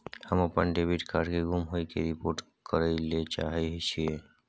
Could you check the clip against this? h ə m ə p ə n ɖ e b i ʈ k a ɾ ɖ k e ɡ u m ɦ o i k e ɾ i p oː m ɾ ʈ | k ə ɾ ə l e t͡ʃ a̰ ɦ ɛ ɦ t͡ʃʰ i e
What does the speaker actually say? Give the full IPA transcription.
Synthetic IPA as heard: h ə m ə p ə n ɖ e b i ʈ k a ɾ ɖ k e ɡ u m ɦ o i k e ɾ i p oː ɾ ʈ | k ə ɾ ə l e t͡ʃ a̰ ɦ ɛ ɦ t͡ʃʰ i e